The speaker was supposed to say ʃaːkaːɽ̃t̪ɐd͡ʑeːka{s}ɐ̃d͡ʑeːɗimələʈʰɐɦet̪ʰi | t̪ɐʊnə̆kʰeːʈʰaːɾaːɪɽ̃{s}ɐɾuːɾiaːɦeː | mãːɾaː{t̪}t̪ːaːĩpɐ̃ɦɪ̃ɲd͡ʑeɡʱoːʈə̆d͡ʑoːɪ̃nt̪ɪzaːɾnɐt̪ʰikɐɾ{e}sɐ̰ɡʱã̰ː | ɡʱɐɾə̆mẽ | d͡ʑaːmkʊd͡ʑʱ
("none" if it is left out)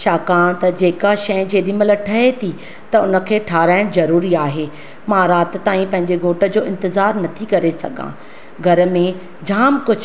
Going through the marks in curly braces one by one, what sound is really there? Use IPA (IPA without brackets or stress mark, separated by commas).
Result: ʃ, z, t̪, e